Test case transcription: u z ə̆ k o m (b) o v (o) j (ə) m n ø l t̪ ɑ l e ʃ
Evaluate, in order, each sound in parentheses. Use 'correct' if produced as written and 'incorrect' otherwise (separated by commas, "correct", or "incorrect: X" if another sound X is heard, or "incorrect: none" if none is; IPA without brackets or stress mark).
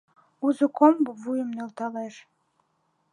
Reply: correct, incorrect: u, correct